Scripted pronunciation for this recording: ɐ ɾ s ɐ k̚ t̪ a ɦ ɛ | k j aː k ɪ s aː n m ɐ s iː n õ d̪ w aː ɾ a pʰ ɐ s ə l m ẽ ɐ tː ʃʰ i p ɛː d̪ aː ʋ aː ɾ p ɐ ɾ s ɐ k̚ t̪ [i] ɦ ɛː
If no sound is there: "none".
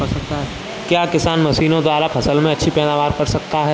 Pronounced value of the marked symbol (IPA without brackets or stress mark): a